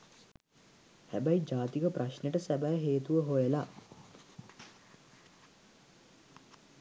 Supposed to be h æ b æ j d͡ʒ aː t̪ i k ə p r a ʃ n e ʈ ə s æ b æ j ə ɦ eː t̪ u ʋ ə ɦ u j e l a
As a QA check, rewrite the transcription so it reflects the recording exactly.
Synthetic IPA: h æ b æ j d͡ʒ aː t̪ i k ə p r a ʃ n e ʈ ə s æ b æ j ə ɦ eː t̪ u ʋ ə ɦ o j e l a